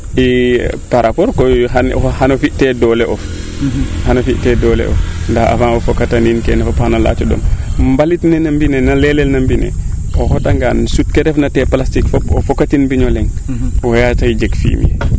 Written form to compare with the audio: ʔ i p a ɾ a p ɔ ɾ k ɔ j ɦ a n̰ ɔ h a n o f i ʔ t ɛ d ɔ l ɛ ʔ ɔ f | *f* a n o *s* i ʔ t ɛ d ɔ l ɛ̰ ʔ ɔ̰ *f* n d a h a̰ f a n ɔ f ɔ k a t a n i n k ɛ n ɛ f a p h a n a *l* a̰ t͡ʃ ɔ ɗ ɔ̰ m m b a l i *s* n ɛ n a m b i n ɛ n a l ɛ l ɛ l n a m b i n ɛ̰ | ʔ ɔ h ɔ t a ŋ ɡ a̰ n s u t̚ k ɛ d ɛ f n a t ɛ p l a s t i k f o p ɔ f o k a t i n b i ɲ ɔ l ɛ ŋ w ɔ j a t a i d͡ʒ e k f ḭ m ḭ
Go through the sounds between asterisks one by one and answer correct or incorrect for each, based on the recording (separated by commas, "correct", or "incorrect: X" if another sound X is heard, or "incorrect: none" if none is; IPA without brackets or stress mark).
incorrect: h, incorrect: f, correct, correct, incorrect: t